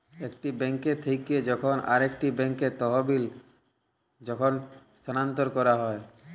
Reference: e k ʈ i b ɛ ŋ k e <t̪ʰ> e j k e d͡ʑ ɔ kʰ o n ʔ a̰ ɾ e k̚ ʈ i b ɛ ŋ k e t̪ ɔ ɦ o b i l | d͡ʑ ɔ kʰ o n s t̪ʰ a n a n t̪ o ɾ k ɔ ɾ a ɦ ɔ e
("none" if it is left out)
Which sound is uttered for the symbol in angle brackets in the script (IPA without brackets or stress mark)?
t̪ʰ